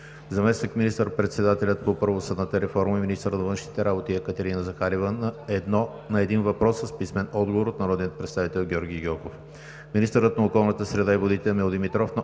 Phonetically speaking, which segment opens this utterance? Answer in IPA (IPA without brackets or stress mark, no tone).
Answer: z